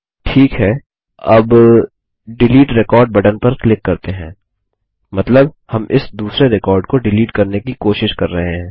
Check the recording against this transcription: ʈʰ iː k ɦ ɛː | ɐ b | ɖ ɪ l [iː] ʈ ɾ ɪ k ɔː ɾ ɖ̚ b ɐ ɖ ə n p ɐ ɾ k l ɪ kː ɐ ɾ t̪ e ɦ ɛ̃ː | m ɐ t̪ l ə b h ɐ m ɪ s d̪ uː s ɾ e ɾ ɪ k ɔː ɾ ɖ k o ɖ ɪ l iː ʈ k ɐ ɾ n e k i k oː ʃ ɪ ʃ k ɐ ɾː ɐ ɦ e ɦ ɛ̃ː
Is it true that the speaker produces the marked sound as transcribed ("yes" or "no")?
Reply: yes